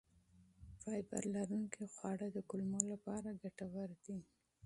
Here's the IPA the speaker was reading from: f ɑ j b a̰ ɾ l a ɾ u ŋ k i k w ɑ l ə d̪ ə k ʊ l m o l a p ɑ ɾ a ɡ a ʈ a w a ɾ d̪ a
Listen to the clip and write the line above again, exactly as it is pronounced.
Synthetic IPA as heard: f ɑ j b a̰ ɾ l a ɾ u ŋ k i x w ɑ ɽ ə d̪ ə k ʊ l m o l a p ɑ ɾ a ɡ a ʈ a w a ɾ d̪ i

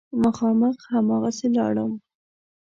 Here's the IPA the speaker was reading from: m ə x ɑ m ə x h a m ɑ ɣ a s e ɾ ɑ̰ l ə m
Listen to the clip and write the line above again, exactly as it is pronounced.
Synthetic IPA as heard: m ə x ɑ m ə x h a m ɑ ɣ a s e l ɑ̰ ɽ ə m

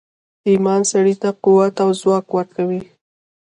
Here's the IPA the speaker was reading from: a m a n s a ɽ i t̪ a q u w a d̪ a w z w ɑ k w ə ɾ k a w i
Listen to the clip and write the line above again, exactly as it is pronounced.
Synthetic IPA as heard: i m ɑ n s a ɽ i t̪ a q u w a t̪ a w z w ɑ k w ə ɾ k a w i

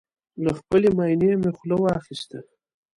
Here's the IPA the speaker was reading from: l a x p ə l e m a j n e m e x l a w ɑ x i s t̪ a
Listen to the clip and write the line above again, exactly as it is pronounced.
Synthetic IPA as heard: l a x p ə l e m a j n e m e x l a w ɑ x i s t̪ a

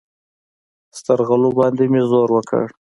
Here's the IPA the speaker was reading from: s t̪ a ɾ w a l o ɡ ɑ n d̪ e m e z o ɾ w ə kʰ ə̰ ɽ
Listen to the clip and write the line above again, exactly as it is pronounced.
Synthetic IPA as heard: s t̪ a ɾ ɣ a l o b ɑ n d̪ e m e z o ɾ w ə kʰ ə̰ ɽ

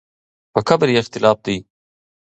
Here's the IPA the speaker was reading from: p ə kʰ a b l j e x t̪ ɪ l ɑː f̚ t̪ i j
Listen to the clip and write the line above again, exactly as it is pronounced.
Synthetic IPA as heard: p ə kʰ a b ɾ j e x t̪ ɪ l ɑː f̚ d̪ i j

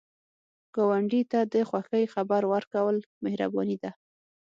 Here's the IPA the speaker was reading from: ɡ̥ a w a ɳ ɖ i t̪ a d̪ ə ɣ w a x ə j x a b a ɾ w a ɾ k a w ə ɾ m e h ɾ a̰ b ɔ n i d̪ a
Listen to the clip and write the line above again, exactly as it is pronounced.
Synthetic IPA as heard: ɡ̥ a w a ɳ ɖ i t̪ a d̪ ə x w a x ə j x a b a ɾ w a ɾ k a w ə l m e h ɾ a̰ b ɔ n i d̪ a

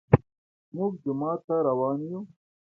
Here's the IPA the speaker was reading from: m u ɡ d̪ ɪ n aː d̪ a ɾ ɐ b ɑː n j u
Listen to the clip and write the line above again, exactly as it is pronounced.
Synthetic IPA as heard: m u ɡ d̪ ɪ m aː t̪ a ɾ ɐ w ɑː n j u

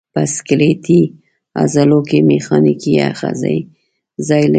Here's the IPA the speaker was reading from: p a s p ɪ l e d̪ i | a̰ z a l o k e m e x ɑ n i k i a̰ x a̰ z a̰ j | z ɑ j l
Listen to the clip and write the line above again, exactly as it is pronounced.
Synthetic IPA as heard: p a s k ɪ l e t̪ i | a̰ z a l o k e m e x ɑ n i k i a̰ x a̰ z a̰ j | z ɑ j l

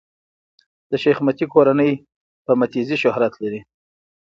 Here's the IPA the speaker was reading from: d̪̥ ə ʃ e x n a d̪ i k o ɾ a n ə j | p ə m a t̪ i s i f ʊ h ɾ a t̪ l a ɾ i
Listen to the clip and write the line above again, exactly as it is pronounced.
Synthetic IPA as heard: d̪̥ ə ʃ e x m a t̪ i k o ɾ a n ə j | p ə m a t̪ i z i ʃ ʊ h ɾ a t̪ l a ɾ i

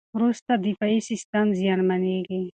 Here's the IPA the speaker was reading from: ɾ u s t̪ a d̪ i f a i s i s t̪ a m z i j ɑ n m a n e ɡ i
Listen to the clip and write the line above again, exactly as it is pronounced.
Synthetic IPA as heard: ɾ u s t̪ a d̪ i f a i s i s t̪ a m z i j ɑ n m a n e ɡ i

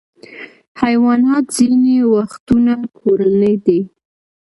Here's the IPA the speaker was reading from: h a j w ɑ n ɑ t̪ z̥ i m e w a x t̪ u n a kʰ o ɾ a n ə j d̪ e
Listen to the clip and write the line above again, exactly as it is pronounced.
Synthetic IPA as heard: h a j w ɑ n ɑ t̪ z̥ i n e w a x t̪ u n a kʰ o ɾ a n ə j d̪ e

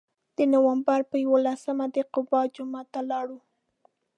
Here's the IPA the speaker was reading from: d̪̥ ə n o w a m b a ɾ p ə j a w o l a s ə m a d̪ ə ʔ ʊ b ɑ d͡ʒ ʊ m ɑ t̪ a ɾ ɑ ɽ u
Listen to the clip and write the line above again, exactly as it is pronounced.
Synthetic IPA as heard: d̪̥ ə n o w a m b a ɾ p ə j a w o l a s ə m a d̪ ə q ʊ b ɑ d͡ʒ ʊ m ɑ t̪ a l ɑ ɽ u

